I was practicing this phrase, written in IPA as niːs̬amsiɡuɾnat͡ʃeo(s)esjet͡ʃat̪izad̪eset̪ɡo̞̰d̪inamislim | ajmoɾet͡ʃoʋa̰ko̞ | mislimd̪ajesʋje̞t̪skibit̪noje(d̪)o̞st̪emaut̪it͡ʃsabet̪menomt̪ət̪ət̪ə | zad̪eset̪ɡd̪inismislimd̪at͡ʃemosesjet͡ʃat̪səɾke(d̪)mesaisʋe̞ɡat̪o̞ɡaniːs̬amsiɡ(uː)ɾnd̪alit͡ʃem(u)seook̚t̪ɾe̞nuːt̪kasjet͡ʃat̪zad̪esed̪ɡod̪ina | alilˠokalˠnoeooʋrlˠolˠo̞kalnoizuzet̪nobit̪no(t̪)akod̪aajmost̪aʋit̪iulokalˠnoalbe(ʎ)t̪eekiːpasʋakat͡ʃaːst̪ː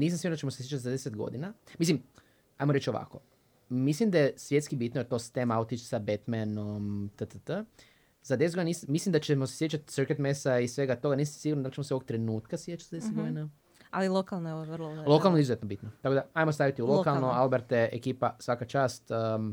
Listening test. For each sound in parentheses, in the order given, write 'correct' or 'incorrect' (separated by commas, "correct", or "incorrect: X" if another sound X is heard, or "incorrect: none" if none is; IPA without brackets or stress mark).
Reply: correct, incorrect: t̪, incorrect: t̪, incorrect: u, incorrect: o, correct, incorrect: ɾ